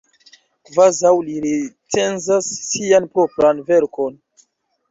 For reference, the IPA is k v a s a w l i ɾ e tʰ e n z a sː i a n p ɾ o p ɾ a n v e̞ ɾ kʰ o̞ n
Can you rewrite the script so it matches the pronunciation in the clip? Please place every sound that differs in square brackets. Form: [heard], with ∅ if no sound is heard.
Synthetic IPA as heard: k v a [z] a w l i ɾ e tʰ e n z a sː i a n p ɾ o p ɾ a n v e̞ ɾ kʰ o̞ n